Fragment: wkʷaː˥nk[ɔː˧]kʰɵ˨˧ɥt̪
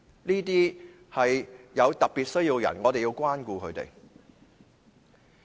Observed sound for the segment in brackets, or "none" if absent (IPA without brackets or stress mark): uː˧